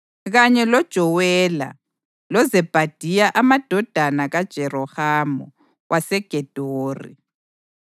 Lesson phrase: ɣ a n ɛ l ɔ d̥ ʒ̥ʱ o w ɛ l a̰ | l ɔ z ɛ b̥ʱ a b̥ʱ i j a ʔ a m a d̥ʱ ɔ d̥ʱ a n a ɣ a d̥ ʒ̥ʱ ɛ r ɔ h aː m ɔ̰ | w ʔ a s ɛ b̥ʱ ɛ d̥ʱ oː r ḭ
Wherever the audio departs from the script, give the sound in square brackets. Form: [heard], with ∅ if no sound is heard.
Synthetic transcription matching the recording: ɣ a [ɲ] ɛ l ɔ d̥ ʒ̥ʱ [ɔ] w ɛ l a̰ | l ɔ z ɛ b̥ʱ a [d̥ʱ] i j a ʔ a m a d̥ʱ ɔ d̥ʱ a n a ɣ a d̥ ʒ̥ʱ ɛ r ɔ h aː m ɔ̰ | w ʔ a s ɛ [ɡ̥ʱ] ɛ d̥ʱ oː r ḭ